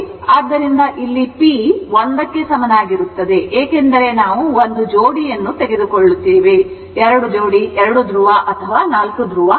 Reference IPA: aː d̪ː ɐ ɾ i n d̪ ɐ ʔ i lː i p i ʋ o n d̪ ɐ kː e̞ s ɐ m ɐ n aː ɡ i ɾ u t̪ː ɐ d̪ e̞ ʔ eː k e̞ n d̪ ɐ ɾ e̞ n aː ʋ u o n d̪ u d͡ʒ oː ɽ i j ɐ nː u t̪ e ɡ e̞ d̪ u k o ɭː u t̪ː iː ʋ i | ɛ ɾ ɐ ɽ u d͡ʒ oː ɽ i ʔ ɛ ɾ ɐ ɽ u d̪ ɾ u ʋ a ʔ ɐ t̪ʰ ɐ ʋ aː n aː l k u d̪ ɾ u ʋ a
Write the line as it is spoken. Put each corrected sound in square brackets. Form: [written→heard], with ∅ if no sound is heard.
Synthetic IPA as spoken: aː d̪ː ɐ ɾ i n d̪ ɐ ʔ i lː i p i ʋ o n d̪ ɐ kː e̞ s ɐ m ɐ n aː ɡ i ɾ u t̪ː ɐ d̪ e̞ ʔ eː k e̞ n d̪ ɐ ɾ e̞ n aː ʋ u o n d̪ u d͡ʒ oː ɽ i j ɐ nː u t̪ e ɡ e̞ d̪ u k o ɭː u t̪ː iː ʋ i | ɛ ɾ ɐ ɽ u d͡ʒ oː ɽ i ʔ ɛ ɾ ɐ ɽ u d̪ ɾ u ʋ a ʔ ɐ t̪ʰ ɐ ʋ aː n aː l k u d̪ ɾ u ʋ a